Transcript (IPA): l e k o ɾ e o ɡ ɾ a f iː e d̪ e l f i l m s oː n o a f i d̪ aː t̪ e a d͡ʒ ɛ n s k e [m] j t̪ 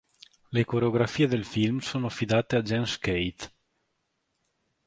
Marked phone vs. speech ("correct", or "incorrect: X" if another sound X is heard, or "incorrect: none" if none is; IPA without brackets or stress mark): incorrect: none